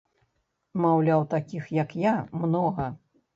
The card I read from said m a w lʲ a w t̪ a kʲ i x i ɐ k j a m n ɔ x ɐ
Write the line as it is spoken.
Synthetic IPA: m a w lʲ a w t̪ a kʲ i x j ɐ k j a m n ɔ ɣ ɐ